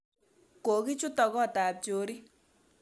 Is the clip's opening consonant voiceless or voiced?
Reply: voiceless